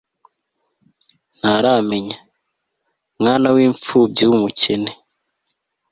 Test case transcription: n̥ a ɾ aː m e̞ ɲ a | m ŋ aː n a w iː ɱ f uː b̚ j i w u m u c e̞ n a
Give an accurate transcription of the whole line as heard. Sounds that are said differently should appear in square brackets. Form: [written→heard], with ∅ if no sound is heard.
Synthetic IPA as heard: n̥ a ɾ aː m e̞ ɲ a | m ŋ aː n a w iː ɱ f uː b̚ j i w u m u c e̞ n [a→e]